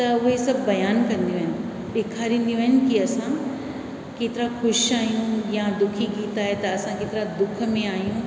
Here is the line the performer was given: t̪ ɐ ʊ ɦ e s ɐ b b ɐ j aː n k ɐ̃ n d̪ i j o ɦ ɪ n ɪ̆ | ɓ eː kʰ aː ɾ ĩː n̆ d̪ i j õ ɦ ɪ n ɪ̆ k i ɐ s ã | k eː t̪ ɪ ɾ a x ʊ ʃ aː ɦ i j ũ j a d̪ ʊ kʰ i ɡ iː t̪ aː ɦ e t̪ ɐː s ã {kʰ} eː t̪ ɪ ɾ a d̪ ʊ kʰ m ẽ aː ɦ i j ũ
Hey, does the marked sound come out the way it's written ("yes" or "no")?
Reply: no